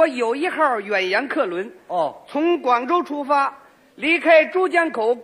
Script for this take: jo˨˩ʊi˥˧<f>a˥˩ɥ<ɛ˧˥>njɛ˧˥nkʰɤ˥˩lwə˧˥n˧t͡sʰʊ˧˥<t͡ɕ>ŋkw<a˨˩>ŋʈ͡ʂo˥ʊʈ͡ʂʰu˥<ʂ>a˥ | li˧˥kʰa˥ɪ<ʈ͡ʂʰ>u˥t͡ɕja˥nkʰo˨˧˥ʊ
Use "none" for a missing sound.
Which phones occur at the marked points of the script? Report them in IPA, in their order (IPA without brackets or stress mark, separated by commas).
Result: x, ɛ˨˩, none, ɑ˨˩, f, ʈ͡ʂ